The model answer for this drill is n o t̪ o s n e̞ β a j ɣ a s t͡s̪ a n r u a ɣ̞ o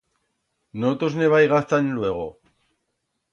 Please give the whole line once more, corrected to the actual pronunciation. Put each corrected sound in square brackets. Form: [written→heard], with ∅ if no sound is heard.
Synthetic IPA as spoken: n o t̪ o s n e̞ β a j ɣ a s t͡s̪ a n [r→l] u [a→e] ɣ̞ o